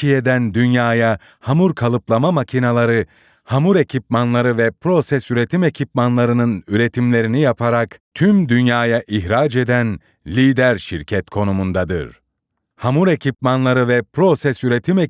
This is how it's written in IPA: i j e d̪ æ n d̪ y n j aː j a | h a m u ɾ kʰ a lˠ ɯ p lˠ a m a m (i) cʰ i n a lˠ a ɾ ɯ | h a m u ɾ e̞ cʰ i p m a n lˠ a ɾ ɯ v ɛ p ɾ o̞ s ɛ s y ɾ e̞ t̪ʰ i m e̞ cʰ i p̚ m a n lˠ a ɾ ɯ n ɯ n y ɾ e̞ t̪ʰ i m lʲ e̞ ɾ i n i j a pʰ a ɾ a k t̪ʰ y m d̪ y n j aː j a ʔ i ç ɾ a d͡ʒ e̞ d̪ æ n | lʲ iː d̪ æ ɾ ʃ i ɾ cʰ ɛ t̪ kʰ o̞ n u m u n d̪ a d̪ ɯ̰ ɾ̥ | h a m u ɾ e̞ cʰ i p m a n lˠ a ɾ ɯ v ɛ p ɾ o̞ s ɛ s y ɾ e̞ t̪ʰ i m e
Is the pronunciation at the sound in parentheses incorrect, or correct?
incorrect